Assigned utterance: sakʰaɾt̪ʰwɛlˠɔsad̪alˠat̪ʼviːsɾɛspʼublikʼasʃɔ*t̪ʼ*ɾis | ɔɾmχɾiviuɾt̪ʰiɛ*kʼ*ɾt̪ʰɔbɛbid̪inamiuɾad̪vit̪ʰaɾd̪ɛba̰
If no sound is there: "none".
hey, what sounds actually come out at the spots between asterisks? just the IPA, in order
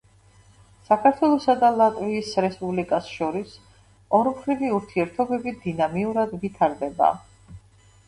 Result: none, none

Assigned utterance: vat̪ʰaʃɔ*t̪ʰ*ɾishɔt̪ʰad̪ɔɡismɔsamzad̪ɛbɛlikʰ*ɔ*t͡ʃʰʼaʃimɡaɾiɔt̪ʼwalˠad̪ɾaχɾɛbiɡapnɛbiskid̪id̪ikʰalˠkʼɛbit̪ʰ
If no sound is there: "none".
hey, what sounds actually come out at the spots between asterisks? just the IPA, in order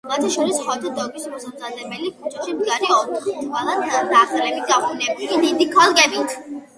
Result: none, u

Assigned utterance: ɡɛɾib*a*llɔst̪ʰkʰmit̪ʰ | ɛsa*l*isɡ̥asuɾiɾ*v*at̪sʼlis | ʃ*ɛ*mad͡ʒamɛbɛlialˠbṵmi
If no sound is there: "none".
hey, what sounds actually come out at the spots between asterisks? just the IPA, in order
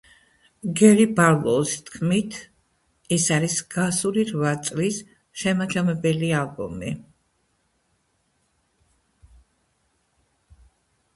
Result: a, ɾ, v, ɛ

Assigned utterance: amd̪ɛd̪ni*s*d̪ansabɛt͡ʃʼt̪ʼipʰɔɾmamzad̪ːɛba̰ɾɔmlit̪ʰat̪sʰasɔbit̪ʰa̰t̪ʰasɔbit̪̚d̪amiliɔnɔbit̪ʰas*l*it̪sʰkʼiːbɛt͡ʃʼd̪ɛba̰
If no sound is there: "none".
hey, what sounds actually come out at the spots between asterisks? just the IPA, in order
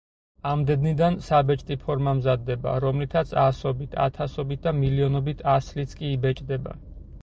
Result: none, l

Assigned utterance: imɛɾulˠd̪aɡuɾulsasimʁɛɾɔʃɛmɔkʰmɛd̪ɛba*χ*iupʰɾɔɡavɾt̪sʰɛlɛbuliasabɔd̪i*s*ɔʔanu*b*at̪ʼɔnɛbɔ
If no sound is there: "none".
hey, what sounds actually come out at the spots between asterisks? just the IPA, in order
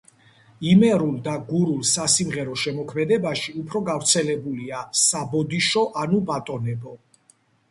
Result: ʃ, ʃ, b

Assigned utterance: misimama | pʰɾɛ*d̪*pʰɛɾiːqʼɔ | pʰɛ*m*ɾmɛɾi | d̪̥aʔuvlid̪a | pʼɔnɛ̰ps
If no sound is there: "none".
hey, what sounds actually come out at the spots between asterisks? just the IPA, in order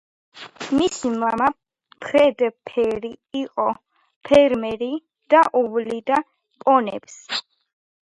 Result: d̪, none

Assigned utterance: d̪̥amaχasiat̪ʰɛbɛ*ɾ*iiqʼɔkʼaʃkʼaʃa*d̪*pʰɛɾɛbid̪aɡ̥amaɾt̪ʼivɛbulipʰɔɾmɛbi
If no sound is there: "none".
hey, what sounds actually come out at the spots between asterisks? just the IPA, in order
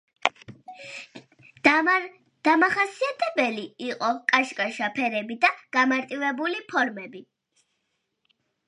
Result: l, none

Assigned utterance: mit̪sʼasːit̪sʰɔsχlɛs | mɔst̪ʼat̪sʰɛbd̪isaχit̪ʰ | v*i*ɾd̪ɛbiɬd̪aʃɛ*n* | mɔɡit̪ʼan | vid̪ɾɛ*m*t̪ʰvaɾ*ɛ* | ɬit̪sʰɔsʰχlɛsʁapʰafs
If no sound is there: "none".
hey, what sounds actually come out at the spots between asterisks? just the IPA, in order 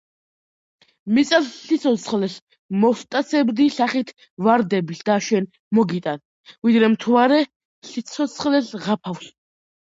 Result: a, n, m, ɛ

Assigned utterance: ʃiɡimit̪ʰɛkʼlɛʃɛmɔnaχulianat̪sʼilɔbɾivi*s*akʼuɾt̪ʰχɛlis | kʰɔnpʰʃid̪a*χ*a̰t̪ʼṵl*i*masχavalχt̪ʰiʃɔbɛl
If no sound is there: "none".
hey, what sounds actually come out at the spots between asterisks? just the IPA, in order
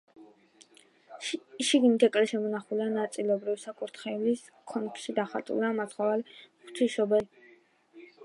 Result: s, χ, a

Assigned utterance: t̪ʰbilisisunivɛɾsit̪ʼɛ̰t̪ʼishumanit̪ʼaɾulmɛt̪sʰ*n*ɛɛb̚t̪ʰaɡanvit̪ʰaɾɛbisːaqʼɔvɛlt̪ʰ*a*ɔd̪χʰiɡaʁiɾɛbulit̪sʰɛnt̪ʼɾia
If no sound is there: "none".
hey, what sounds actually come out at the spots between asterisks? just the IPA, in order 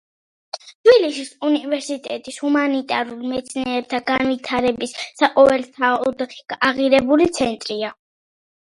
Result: n, a

